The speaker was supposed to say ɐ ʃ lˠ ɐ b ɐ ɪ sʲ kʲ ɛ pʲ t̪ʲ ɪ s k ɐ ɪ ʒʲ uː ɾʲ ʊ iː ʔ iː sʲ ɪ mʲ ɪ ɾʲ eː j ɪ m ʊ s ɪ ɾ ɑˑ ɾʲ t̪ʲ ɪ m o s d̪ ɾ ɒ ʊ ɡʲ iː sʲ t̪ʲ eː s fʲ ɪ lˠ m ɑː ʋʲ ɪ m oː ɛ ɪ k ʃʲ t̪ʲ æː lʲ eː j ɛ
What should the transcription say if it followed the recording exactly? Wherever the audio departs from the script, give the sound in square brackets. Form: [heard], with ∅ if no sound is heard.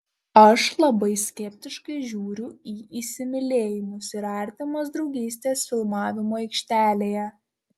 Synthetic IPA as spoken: ɐ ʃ lˠ ɐ b ɐ ɪ sʲ kʲ ɛ pʲ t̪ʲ ɪ [ʃ] k ɐ ɪ ʒʲ uː ɾʲ ʊ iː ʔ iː sʲ ɪ mʲ ɪ [lʲ] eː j ɪ m ʊ s ɪ ɾ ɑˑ ɾʲ t̪ʲ ɪ m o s d̪ ɾ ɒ ʊ ɡʲ iː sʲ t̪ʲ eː s fʲ ɪ lˠ m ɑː ʋʲ ɪ m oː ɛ ɪ k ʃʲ t̪ʲ æː lʲ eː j ɛ